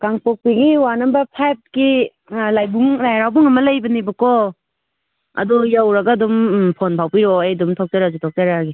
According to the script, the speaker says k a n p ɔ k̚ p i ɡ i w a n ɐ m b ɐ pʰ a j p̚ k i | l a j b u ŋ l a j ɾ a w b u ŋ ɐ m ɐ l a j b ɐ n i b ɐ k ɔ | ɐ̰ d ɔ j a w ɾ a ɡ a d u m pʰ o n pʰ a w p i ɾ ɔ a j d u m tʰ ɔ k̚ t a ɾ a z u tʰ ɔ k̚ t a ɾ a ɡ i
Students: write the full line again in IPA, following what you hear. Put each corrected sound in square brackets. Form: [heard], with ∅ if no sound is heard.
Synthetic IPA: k a [ŋ] p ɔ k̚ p i ɡ i w a n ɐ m b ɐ pʰ a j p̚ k i | l a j b u ŋ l a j ɾ a w b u ŋ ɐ m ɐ l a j b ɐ n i b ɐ k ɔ | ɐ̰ d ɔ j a w ɾ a ɡ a d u m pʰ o n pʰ a w p i ɾ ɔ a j d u m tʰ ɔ k̚ t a ɾ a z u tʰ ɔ k̚ t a ɾ a ɡ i